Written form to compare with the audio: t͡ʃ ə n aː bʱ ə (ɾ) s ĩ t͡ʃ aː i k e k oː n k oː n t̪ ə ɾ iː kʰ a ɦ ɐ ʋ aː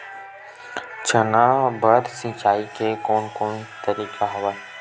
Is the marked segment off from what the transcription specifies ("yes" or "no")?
no